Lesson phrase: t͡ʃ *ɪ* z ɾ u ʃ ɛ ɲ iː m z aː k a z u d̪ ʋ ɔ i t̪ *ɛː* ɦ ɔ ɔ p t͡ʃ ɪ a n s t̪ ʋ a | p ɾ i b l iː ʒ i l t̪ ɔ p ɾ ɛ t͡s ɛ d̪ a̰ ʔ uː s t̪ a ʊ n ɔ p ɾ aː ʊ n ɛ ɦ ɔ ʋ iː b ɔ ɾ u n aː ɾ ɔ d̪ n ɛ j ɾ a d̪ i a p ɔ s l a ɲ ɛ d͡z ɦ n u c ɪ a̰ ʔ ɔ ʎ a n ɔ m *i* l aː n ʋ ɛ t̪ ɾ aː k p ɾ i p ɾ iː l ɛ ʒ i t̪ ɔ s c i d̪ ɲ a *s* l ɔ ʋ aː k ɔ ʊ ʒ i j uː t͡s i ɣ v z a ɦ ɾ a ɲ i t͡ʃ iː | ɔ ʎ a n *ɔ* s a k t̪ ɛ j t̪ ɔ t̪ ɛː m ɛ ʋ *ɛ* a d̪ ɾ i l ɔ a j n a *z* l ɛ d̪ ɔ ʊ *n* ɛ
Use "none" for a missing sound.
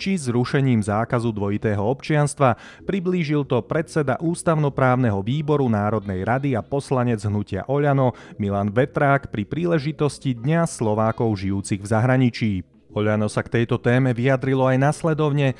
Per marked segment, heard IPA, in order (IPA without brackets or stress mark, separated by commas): i, ɛː, i, s, ɔ, i, s, ɲ